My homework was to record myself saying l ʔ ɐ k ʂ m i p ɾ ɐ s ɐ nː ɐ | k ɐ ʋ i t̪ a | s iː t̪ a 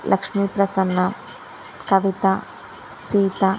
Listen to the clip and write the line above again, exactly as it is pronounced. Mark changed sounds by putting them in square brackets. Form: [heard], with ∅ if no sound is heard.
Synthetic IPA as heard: l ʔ ɐ k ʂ m i p ɾ ɐ s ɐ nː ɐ | k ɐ ʋ i t̪ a | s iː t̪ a